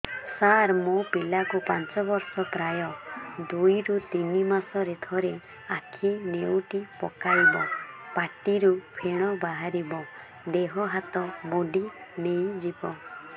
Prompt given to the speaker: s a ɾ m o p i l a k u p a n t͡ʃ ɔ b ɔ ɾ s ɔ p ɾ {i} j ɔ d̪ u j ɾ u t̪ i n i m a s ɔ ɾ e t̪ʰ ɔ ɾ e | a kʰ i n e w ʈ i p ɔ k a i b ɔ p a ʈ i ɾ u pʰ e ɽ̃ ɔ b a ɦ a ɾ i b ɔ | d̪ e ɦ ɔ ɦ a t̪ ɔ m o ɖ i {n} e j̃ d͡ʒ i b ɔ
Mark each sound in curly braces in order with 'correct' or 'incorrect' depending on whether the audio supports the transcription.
incorrect, correct

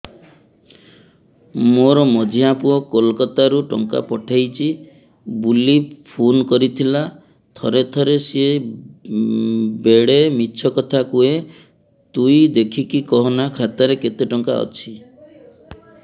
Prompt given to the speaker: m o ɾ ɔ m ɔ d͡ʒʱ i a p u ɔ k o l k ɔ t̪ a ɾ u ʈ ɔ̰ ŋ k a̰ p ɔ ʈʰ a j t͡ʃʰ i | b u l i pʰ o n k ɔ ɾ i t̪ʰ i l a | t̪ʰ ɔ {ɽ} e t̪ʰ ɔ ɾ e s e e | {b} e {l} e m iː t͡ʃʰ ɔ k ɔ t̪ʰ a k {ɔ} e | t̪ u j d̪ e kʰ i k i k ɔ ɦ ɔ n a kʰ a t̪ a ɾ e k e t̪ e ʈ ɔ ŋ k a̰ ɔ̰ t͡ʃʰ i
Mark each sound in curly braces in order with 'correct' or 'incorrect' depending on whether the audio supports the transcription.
incorrect, correct, incorrect, incorrect

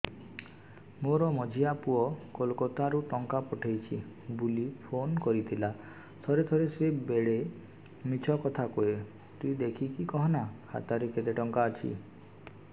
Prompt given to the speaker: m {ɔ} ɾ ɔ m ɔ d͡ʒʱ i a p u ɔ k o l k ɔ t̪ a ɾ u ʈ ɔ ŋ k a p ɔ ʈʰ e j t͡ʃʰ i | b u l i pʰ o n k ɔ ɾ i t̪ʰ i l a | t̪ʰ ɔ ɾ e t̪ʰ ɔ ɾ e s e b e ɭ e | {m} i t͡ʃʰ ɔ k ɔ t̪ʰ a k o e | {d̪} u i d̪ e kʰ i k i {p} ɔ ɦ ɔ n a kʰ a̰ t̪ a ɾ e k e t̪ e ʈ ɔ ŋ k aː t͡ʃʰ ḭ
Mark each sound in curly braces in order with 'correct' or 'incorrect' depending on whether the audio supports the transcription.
incorrect, correct, incorrect, incorrect

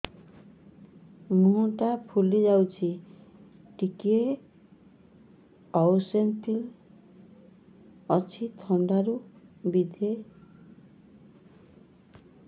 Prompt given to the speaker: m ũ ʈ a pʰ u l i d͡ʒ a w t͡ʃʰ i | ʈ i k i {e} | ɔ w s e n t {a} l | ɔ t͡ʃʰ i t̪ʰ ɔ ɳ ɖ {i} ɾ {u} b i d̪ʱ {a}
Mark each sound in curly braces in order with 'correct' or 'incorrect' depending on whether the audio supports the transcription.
correct, incorrect, incorrect, correct, incorrect

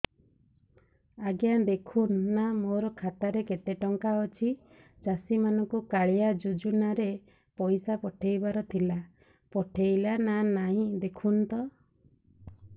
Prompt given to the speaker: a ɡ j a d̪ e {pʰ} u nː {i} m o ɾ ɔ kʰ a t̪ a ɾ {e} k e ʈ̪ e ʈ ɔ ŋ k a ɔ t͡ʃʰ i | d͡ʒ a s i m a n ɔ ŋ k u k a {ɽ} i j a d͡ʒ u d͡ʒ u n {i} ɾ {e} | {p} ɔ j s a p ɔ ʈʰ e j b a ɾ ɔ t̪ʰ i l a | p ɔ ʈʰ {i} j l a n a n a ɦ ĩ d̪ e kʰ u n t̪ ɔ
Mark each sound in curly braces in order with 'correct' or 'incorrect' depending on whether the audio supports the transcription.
incorrect, incorrect, correct, incorrect, incorrect, correct, correct, incorrect

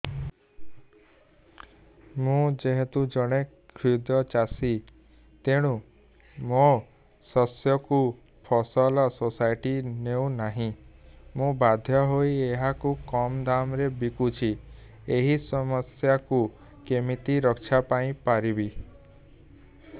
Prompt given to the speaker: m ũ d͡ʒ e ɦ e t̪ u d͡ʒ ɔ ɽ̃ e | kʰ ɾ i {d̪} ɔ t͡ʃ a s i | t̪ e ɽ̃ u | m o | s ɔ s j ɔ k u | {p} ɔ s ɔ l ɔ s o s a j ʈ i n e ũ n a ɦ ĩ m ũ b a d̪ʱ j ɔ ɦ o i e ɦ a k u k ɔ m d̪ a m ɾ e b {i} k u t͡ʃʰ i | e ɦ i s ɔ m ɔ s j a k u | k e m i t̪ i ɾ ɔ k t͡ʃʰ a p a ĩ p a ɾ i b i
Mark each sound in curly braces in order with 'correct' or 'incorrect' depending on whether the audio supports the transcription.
correct, incorrect, correct

